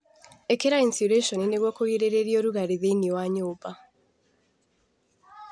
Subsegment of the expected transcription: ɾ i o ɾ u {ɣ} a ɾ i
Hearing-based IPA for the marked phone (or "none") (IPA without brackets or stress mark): ɣ